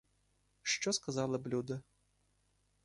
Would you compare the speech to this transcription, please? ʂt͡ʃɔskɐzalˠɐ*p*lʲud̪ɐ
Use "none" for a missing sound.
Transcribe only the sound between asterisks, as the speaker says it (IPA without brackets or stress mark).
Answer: b